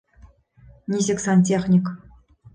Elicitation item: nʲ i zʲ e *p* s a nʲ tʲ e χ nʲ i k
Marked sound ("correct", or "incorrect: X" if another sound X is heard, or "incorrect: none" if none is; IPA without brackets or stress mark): incorrect: k